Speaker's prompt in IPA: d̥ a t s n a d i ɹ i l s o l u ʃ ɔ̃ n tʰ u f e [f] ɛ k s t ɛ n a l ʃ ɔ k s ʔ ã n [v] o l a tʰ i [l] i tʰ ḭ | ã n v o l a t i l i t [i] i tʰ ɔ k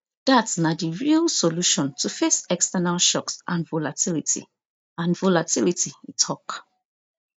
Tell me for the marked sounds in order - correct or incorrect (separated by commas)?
incorrect, correct, correct, correct